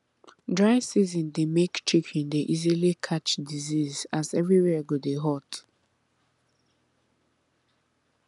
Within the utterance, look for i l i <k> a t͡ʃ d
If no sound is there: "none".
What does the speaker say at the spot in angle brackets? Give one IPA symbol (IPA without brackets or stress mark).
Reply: kʰ